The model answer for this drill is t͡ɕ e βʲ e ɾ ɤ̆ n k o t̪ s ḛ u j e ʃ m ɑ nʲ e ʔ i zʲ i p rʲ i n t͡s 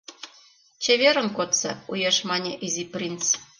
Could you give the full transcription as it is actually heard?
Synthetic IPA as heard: t͡ɕ e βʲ e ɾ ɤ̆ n k o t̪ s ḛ u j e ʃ m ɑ nʲ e ʔ i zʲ i p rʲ i n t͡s